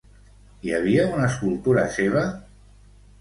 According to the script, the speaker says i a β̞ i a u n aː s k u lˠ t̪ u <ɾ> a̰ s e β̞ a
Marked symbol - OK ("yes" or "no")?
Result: yes